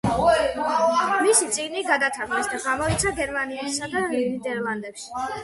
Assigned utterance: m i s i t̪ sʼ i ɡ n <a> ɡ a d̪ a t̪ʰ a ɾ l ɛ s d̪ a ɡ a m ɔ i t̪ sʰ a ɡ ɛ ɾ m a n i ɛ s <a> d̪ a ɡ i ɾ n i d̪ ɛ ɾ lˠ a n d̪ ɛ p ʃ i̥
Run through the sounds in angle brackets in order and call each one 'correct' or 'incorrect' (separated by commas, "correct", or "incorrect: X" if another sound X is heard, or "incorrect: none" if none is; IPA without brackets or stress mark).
incorrect: i, correct